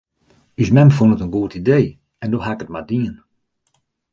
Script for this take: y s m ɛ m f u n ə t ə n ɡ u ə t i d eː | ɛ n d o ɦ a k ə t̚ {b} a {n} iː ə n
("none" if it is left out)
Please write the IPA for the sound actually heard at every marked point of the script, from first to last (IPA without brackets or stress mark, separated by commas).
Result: m, d